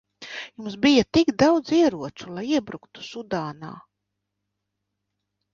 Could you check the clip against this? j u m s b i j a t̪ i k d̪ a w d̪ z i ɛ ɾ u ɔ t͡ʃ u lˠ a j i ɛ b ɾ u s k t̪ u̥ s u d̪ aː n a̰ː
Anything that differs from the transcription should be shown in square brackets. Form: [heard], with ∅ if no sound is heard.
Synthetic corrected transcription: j u m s b i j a t̪ i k d̪ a w d̪ z i ɛ ɾ u ɔ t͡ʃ u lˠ a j i ɛ b ɾ u [∅] k t̪ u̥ s u d̪ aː n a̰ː